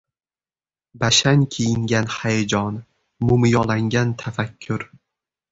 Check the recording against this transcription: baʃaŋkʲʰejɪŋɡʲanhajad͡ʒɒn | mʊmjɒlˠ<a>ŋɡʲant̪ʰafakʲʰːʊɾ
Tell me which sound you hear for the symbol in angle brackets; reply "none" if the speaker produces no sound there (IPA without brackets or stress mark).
a